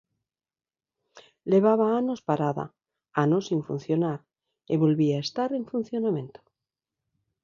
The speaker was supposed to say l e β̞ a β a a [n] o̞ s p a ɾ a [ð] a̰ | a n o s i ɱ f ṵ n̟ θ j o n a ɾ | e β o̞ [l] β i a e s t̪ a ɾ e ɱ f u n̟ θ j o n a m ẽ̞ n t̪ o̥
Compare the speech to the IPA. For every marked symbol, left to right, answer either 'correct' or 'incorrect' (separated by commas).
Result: correct, correct, correct